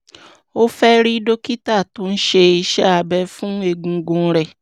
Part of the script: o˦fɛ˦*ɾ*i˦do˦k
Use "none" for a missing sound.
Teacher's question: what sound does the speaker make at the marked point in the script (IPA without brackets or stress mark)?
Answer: ɾ